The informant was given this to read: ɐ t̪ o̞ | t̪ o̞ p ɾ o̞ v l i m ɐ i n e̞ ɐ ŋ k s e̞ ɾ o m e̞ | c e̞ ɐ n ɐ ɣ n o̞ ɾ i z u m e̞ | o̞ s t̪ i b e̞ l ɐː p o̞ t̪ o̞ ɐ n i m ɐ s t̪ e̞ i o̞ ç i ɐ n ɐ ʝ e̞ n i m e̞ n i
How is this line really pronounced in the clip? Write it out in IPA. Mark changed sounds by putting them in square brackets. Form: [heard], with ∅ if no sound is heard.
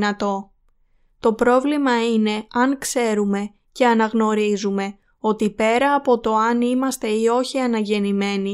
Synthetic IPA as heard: ɐ t̪ o̞ | t̪ o̞ p ɾ o̞ v l i m ɐ i n e̞ ɐ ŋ k s e̞ ɾ [u] m e̞ | c e̞ ɐ n ɐ ɣ n o̞ ɾ i z u m e̞ | o̞ [∅] t̪ i [p] e̞ [ɾ] ɐː p o̞ t̪ o̞ ɐ n i m ɐ s t̪ e̞ i o̞ ç i ɐ n ɐ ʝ e̞ n i m e̞ n i